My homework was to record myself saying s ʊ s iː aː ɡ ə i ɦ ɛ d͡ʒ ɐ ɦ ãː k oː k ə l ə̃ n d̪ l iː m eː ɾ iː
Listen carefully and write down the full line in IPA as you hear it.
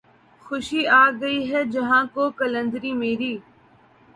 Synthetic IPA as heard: x ʊ ʃ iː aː ɡ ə i ɦ ɛ d͡ʒ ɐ ɦ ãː k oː k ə l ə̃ n d̪ ɾ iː m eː ɾ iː